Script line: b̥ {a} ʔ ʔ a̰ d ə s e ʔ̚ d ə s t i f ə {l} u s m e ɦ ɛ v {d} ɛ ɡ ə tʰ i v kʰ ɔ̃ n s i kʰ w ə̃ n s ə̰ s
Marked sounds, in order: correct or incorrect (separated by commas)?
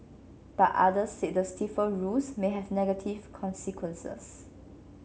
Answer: correct, incorrect, incorrect